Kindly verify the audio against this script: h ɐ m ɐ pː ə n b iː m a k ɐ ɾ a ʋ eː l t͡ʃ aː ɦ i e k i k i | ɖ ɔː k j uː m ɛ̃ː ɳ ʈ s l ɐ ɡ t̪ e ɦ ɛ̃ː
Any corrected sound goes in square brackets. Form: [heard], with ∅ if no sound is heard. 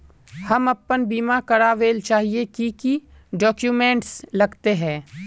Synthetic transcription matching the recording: h ɐ m ɐ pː ə n b iː m a k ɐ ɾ a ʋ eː l t͡ʃ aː ɦ i e k i k i | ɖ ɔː k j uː m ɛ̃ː ɳ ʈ s l ɐ ɡ t̪ e ɦ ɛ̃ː

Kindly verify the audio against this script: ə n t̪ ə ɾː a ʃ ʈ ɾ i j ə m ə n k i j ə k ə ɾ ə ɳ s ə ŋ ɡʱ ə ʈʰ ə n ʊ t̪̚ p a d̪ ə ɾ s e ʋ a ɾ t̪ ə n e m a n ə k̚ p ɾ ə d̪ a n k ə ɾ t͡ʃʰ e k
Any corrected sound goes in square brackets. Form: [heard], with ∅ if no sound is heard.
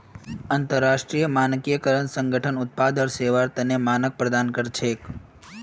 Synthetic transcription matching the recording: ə n t̪ ə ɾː a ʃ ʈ ɾ i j ə m [a] n k i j ə k ə ɾ ə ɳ s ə ŋ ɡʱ ə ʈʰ ə n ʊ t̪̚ p a d̪ ə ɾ s e ʋ a ɾ t̪ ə n e m a n ə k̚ p ɾ ə d̪ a n k ə ɾ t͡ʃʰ e k

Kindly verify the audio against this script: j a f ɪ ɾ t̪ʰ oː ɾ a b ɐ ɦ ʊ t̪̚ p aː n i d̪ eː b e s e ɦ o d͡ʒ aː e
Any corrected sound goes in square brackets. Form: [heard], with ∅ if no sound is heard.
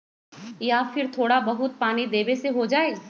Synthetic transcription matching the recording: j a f ɪ ɾ t̪ʰ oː [ɽ] a b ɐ ɦ ʊ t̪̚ p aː n i d̪ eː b e s e ɦ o d͡ʒ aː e

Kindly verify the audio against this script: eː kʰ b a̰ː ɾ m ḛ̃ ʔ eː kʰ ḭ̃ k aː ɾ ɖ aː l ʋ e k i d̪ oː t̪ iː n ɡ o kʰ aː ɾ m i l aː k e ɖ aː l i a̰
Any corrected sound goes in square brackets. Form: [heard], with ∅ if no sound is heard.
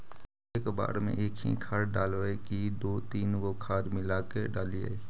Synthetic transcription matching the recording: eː [k] b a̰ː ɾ m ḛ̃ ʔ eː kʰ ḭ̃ [kʰ] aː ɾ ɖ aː l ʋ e k i d̪ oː t̪ iː n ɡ o kʰ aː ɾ m [ɪ] l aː k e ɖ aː l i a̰

